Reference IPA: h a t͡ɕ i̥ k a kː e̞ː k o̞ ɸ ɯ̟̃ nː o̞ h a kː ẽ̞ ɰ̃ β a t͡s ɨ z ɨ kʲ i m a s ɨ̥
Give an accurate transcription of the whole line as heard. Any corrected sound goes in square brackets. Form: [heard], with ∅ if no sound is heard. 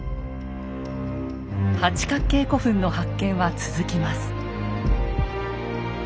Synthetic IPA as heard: h a t͡ɕ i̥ k a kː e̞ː k o̞ ɸ ɯ̟̃ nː o̞ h a kː ẽ̞ ɰ̃ β a t͡s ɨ z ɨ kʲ i m a s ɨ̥